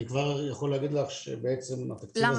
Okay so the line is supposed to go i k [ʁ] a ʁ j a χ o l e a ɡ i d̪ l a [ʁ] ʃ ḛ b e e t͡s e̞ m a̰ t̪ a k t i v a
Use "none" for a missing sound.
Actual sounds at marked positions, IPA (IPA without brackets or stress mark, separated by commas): v, χ